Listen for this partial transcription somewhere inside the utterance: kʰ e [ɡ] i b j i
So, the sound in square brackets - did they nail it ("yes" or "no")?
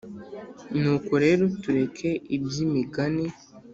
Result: no